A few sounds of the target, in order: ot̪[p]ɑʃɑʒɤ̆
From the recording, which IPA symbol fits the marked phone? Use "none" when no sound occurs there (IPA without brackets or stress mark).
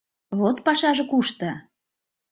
p